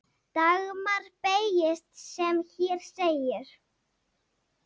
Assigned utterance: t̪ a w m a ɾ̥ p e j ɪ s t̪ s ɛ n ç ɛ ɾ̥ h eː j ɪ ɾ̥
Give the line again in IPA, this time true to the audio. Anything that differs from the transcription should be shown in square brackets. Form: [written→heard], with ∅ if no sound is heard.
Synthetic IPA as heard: t̪ a [w→ɣ] m a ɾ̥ p e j ɪ s t̪ s ɛ [n→m] ç ɛ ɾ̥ [h→s] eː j ɪ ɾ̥